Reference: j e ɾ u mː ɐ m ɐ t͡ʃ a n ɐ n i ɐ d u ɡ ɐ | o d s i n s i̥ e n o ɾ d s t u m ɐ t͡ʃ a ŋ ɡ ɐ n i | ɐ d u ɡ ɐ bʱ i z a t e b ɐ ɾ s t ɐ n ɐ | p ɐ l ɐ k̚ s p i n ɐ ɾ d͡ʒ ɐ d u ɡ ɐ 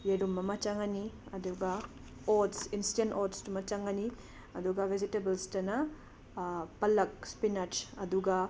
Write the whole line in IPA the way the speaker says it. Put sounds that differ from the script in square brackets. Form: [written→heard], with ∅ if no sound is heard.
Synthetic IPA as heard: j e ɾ u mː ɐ m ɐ t͡ʃ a [n→ŋ] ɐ n i ɐ d u ɡ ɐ | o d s i n s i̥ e n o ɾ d s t u m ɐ t͡ʃ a ŋ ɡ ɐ n i | ɐ d u ɡ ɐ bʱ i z [a→i] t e b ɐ [ɾ→l] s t ɐ n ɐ | p ɐ l ɐ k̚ s p i n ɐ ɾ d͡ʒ ɐ d u ɡ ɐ